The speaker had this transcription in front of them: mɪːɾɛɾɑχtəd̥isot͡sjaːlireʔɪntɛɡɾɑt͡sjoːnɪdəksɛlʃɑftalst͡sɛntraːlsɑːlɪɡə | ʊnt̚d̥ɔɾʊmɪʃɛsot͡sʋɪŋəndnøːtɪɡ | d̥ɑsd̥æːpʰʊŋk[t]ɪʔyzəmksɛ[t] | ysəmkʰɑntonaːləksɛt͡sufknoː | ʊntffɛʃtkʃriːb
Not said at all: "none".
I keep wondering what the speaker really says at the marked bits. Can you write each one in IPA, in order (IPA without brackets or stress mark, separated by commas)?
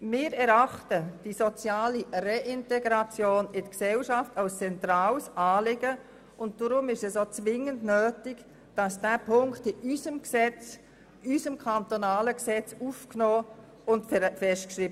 t, t͡s